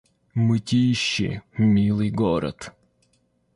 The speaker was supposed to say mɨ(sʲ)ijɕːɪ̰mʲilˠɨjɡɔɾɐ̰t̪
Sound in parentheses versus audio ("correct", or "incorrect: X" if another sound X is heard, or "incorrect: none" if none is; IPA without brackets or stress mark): incorrect: tʲ